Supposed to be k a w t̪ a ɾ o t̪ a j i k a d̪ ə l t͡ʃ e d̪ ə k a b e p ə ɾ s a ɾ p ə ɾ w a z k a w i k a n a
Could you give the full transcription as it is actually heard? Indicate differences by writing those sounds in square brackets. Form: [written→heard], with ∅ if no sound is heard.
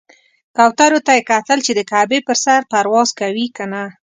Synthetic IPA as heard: k a w t̪ a ɾ o t̪ a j [i→e] k a [d̪→t̪] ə l t͡ʃ e d̪ ə k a b e p ə ɾ s a ɾ p [ə→a] ɾ w [a→ɑ] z k a w i k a n a